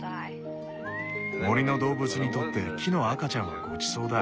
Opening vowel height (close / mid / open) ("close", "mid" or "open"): mid